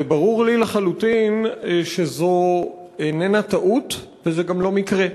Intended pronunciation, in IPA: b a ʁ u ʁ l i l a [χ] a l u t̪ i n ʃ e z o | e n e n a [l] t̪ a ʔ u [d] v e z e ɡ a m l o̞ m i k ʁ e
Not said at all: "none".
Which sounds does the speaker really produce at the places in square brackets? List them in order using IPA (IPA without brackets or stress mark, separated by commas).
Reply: χ, none, t